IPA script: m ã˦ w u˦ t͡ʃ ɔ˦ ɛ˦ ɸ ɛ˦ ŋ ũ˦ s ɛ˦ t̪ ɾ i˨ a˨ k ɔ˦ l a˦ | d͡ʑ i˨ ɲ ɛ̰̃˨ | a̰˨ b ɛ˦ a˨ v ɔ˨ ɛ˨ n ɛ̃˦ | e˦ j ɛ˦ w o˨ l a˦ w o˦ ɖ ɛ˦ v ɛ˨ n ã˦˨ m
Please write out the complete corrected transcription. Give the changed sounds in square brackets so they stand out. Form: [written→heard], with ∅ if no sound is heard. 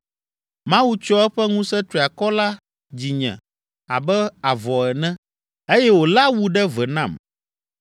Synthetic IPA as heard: m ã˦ w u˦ t͡ʃ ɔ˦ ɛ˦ ɸ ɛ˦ ŋ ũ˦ s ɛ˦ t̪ ɾ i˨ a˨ k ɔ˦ l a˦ | d͡ʑ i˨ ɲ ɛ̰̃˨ | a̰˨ b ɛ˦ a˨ v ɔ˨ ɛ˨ n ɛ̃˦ | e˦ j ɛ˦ w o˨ l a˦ w [o˦→u˦] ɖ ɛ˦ v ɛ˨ n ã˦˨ m